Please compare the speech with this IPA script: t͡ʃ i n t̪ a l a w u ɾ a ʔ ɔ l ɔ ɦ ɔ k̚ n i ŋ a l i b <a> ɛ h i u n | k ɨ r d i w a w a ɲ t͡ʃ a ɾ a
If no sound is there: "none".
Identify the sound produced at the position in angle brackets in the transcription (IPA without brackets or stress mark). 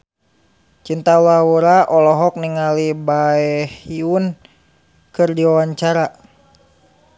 a